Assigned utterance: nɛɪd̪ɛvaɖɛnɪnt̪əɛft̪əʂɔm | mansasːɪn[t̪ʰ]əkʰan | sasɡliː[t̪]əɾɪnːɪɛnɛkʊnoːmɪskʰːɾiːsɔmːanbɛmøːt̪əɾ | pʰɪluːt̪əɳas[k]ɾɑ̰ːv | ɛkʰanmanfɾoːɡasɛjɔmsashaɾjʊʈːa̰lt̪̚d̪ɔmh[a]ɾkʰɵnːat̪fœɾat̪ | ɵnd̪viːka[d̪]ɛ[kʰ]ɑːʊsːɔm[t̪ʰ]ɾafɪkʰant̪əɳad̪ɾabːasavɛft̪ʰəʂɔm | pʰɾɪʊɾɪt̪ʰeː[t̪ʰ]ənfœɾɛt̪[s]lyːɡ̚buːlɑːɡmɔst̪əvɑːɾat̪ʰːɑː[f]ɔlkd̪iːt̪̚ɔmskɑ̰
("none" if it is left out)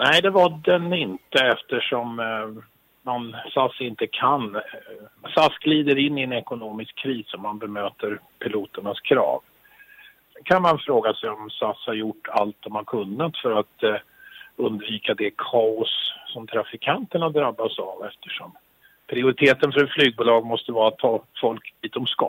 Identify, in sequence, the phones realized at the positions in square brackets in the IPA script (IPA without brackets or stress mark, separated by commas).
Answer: t̪, d̪, kʰ, a, d̪, kʰ, t̪ʰ, t̪, f, f